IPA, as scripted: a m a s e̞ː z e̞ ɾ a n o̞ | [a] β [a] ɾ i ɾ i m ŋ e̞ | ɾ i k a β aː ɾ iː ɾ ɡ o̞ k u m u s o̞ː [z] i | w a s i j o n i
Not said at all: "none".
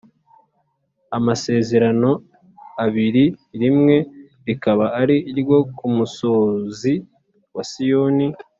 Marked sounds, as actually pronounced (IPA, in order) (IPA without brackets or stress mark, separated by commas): a, i, z